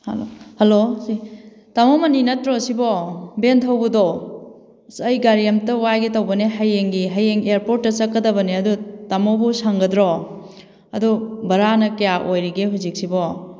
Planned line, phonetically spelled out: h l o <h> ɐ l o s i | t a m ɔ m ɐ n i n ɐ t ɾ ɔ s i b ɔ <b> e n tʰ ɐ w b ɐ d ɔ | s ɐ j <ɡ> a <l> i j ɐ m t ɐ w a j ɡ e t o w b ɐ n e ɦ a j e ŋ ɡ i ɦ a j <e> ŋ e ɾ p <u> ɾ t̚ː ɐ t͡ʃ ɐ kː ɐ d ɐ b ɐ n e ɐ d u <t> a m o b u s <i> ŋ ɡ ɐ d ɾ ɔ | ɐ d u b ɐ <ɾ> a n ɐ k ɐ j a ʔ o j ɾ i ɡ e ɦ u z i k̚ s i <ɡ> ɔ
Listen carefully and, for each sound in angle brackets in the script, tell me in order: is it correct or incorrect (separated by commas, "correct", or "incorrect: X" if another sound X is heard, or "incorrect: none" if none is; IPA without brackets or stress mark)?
correct, correct, correct, incorrect: ɾ, correct, incorrect: o, correct, incorrect: a, correct, incorrect: b